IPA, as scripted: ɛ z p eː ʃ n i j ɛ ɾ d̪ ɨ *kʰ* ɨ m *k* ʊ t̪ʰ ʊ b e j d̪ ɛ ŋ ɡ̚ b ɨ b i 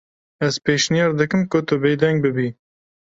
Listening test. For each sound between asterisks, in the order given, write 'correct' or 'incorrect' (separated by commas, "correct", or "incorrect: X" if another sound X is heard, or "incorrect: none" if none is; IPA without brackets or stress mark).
incorrect: k, correct